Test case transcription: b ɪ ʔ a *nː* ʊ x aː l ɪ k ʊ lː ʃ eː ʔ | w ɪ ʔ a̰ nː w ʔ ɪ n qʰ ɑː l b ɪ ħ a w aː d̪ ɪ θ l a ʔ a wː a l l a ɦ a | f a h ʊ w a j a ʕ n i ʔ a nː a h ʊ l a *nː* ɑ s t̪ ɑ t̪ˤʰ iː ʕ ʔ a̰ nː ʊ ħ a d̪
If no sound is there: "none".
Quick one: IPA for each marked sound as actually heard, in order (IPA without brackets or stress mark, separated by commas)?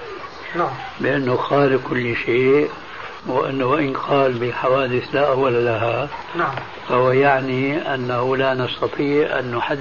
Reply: nː, n